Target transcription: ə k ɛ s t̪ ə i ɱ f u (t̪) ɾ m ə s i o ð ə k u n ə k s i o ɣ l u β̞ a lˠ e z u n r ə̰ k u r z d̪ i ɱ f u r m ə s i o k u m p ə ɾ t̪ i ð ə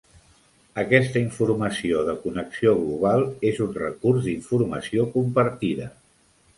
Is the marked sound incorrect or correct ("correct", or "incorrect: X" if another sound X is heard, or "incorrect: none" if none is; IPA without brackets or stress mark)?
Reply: incorrect: none